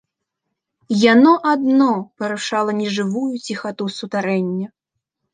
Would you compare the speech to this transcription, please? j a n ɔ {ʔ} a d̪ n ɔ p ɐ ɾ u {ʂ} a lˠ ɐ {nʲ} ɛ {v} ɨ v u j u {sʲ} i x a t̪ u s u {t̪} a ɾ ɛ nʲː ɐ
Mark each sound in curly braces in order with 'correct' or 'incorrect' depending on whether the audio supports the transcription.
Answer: correct, correct, correct, incorrect: ʐ, incorrect: t͡sʲ, correct

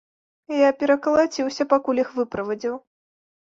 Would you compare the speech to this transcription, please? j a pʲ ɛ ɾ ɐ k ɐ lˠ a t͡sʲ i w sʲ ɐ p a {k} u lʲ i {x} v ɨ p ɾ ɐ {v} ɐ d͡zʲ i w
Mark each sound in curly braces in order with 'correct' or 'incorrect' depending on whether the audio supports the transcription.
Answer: correct, correct, correct

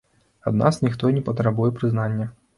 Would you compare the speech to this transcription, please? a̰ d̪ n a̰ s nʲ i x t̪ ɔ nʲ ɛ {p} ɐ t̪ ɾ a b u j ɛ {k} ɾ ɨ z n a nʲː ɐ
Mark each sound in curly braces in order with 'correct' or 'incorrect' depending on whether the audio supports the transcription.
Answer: correct, incorrect: p

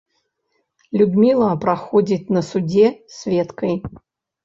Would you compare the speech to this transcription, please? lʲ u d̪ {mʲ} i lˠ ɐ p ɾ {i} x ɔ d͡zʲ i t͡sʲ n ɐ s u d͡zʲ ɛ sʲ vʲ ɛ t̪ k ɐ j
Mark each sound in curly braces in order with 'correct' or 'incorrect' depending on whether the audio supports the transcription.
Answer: correct, incorrect: a

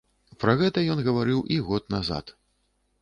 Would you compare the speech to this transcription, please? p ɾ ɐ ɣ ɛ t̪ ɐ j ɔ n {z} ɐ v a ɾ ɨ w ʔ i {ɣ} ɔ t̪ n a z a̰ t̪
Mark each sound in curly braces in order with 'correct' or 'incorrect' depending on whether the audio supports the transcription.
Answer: incorrect: ɣ, correct

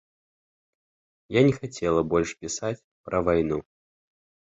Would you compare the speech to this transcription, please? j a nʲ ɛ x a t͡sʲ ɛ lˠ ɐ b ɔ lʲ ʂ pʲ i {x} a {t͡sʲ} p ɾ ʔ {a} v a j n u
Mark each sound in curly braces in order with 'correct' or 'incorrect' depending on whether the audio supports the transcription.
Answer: incorrect: s, correct, incorrect: ɐ

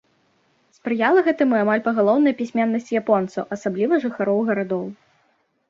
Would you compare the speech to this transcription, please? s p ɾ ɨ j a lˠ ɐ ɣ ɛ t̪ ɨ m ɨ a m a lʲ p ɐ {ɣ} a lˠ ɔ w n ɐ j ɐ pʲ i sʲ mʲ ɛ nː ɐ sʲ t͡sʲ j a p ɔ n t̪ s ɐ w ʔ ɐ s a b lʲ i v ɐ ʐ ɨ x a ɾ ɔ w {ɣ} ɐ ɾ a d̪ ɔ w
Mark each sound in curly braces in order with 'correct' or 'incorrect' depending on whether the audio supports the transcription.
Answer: correct, correct

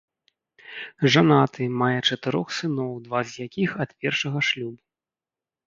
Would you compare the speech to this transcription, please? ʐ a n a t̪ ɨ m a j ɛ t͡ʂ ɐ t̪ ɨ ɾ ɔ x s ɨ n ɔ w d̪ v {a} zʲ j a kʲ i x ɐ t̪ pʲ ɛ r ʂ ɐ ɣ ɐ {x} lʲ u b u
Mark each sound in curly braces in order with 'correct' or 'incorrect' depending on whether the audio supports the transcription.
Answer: correct, incorrect: ʂ

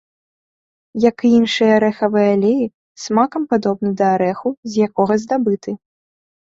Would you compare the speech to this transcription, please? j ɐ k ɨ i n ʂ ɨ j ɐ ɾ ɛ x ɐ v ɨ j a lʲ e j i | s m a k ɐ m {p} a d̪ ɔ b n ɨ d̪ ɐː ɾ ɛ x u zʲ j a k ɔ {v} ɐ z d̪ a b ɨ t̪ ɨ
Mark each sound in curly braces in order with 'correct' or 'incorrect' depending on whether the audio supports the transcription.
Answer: correct, incorrect: ɣ

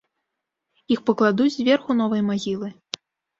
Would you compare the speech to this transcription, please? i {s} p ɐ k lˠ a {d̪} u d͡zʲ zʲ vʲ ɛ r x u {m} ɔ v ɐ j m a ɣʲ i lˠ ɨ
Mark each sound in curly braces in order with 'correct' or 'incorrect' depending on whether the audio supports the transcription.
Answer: incorrect: x, correct, incorrect: n

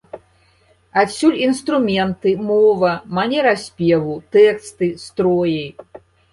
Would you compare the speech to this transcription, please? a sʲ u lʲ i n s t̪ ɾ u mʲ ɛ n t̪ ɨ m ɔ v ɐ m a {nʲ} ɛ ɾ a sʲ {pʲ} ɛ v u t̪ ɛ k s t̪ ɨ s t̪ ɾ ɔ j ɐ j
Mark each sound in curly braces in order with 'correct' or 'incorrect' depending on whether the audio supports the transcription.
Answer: correct, correct

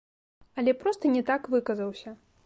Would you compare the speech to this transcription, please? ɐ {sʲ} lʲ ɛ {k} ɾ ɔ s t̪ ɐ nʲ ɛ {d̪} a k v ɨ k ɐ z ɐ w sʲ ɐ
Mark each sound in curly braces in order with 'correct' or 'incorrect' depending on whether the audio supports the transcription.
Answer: incorrect: none, incorrect: p, incorrect: t̪

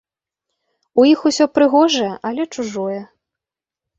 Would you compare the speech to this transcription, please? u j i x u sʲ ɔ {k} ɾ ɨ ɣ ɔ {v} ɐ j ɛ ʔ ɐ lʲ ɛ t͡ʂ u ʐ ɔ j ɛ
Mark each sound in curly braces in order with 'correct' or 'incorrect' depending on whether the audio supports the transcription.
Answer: incorrect: p, incorrect: ʐ

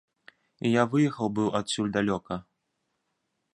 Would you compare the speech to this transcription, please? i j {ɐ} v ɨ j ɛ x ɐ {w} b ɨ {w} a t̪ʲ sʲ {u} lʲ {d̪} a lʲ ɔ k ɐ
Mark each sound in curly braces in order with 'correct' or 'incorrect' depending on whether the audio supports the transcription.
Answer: incorrect: a, correct, correct, correct, correct

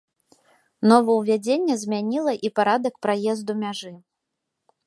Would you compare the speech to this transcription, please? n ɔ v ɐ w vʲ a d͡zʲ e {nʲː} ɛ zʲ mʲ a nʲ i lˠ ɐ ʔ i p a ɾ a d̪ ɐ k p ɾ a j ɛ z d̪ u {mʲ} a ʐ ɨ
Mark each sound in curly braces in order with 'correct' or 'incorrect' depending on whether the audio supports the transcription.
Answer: correct, correct

